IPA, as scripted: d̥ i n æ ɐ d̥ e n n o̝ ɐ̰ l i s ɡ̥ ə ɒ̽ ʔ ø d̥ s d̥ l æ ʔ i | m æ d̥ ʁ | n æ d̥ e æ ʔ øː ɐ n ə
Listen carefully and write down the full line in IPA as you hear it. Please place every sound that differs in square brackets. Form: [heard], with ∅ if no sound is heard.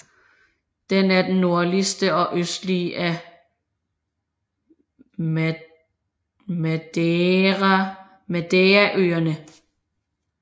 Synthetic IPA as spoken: d̥ [e] n æ ɐ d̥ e n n o̝ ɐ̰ l i s [d̥] ə ɒ̽ ʔ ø [∅] s d̥ l [i] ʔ [æ] | m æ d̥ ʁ | [m] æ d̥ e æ ʔ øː ɐ n ə